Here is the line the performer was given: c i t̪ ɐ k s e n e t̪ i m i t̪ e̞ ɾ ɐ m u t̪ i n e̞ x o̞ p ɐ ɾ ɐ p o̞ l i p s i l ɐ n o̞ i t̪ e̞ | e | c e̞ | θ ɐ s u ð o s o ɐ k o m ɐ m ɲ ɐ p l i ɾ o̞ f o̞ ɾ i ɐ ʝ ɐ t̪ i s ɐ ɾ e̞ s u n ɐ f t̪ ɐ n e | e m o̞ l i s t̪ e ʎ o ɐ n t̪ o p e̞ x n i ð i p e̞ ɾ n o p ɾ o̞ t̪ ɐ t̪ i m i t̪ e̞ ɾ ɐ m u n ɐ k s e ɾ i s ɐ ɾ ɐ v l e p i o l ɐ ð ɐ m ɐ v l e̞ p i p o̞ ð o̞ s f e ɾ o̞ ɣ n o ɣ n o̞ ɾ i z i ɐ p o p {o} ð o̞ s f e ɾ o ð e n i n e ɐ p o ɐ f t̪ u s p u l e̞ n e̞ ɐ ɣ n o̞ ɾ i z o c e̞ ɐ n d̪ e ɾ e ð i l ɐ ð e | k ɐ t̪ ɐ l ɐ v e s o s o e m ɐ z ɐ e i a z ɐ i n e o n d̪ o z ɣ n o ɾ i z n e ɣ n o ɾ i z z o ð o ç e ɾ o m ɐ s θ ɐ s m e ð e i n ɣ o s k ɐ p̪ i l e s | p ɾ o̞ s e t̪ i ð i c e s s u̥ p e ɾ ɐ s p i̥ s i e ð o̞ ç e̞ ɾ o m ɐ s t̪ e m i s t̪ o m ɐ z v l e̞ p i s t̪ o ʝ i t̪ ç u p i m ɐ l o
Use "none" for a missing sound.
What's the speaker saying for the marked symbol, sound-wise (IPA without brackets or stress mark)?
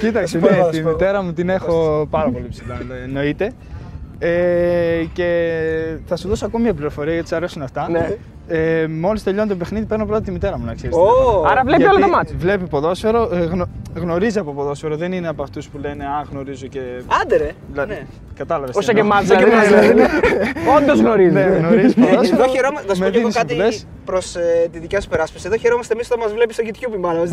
o